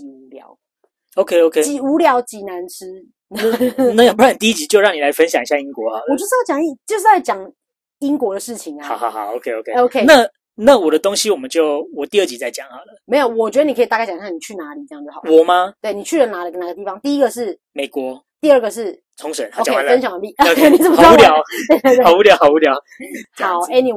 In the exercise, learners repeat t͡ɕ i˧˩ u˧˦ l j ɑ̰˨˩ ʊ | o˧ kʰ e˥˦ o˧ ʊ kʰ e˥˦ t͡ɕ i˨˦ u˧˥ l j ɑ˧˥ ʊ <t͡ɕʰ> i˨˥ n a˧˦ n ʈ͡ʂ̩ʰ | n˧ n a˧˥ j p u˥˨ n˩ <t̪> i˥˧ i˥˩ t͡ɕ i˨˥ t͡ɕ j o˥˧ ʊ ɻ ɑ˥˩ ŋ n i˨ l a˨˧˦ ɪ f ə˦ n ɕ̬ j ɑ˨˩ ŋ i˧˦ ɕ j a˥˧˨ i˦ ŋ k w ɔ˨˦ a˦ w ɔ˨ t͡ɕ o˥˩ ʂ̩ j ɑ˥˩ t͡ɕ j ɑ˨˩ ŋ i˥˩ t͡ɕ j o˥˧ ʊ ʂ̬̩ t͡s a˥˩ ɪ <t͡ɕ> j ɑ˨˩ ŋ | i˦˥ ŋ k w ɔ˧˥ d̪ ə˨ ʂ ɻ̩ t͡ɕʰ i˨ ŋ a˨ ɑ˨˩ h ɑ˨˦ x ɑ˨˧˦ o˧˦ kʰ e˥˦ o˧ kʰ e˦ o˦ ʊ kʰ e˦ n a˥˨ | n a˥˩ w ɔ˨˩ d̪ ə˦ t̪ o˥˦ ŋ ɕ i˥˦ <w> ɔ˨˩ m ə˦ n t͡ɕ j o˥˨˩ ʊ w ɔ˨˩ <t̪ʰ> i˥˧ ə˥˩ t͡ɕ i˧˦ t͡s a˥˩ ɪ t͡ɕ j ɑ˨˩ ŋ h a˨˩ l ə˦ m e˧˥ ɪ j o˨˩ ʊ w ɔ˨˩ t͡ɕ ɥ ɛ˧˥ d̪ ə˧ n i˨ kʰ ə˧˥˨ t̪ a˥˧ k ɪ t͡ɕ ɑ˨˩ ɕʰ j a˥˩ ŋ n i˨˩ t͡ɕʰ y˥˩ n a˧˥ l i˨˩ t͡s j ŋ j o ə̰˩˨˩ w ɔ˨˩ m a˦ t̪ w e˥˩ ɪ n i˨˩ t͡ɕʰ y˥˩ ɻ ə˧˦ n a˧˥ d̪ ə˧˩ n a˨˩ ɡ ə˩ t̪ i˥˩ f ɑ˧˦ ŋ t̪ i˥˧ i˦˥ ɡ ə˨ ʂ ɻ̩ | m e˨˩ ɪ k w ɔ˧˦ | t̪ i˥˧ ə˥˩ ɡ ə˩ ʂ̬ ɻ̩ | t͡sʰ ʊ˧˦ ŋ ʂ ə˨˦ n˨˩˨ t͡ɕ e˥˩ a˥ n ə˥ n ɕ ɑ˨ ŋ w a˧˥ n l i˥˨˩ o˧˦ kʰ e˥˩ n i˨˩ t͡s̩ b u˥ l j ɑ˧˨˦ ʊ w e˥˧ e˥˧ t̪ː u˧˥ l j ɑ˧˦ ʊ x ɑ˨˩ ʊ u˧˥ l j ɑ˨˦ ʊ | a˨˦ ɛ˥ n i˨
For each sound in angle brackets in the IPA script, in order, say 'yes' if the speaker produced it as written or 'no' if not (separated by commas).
no, yes, yes, yes, no